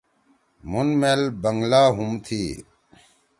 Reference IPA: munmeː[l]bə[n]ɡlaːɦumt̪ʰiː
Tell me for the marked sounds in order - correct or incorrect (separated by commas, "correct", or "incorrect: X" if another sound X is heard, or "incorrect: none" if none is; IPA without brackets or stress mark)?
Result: correct, incorrect: ŋ